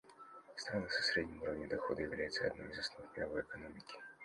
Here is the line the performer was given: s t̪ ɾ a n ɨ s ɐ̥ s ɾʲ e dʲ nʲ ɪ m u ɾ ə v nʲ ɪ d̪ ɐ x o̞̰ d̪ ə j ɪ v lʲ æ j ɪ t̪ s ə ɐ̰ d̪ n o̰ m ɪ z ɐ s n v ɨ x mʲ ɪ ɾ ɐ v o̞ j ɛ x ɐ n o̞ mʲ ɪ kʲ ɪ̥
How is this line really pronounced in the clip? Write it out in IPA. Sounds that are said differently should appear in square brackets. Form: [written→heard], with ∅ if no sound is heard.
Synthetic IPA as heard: s t̪ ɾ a n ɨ s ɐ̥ s ɾʲ e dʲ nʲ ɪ m u ɾ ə v nʲ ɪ d̪ ɐ x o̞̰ d̪ ə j ɪ v lʲ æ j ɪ t̪ s ə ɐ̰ d̪ n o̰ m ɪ z ɐ s n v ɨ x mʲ ɪ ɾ ɐ v o̞ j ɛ [x→k] ɐ n o̞ mʲ ɪ kʲ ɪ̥

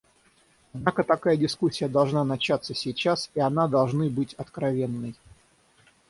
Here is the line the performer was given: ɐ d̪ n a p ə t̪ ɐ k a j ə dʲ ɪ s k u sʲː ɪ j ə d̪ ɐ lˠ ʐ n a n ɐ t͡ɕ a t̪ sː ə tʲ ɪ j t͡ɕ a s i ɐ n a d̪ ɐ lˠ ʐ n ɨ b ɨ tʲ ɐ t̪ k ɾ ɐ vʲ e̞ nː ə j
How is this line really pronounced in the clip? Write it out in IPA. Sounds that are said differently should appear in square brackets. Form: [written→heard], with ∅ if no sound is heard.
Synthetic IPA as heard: ɐ d̪ n a [p→k] ə t̪ ɐ k a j ə dʲ ɪ s k u sʲː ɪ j ə d̪ ɐ lˠ ʐ n a n ɐ t͡ɕ a t̪ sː ə [tʲ→sʲ] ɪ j t͡ɕ a s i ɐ n a d̪ ɐ lˠ ʐ n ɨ b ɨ tʲ ɐ t̪ k ɾ ɐ vʲ e̞ nː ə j

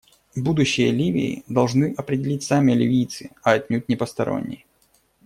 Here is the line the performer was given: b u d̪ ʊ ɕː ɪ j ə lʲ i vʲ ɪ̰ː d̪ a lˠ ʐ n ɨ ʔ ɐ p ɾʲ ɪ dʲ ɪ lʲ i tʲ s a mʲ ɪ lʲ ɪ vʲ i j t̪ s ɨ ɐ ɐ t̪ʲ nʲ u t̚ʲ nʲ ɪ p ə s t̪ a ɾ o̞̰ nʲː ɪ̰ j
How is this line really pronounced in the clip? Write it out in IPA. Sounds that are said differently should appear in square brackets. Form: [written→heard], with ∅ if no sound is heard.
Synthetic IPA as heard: b u d̪ ʊ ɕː ɪ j ə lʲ i vʲ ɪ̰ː d̪ [a→ɐ] lˠ ʐ n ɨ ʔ ɐ p ɾʲ ɪ dʲ ɪ lʲ i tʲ s a mʲ ɪ lʲ ɪ vʲ i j t̪ s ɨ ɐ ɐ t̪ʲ nʲ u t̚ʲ nʲ ɪ p ə s t̪ [a→ɐ] ɾ o̞̰ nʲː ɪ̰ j

